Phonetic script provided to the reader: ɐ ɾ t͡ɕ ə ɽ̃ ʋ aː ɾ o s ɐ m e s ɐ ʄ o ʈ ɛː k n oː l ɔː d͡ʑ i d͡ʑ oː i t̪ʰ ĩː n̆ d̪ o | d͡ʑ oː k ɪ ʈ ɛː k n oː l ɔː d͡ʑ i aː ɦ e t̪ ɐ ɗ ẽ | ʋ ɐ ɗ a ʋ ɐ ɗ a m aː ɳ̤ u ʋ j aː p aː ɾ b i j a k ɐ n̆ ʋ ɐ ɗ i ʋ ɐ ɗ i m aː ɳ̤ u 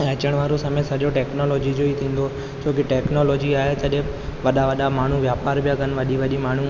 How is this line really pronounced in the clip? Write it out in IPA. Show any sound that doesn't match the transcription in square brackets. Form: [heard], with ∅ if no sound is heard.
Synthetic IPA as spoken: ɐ [∅] t͡ɕ ə ɽ̃ ʋ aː ɾ o s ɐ m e s ɐ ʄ o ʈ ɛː k n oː l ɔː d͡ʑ i d͡ʑ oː i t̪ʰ ĩː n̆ d̪ o | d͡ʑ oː k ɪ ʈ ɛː k n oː l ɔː d͡ʑ i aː ɦ e t̪ ɐ ɗ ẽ | ʋ ɐ ɗ a ʋ ɐ ɗ a m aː ɳ̤ u ʋ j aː p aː ɾ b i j a k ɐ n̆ ʋ ɐ ɗ i ʋ ɐ ɗ i m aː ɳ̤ u